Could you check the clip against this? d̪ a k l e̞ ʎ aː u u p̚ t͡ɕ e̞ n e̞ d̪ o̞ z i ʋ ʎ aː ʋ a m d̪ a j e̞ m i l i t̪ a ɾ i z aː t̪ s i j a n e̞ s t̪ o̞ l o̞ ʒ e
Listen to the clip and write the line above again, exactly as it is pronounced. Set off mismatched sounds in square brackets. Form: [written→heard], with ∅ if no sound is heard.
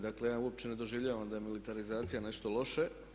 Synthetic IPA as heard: d̪ a k l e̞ [ʎ→j] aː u [u→o] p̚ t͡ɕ e̞ n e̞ d̪ o̞ [z→ʒ] i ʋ ʎ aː ʋ a m d̪ a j e̞ m i l i t̪ a ɾ i z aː t̪ s i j a n e̞ [s→ʃ] t̪ o̞ l o̞ [ʒ→ʃ] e